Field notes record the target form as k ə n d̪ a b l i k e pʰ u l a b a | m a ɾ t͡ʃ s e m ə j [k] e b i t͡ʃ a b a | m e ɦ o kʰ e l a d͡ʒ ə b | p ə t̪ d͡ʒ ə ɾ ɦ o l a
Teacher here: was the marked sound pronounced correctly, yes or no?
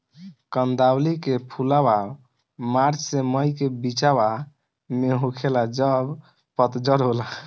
yes